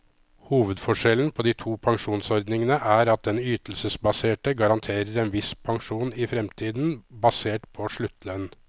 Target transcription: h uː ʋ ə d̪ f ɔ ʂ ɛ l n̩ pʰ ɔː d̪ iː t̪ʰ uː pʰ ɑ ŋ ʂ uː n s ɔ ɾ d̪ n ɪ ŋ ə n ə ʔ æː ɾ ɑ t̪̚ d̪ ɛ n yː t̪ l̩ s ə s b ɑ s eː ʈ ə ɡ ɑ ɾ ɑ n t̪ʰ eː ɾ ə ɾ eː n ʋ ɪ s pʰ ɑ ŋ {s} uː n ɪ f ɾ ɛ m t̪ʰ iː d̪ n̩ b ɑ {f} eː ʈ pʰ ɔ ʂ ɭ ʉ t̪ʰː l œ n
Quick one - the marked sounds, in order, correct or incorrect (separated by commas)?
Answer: incorrect, incorrect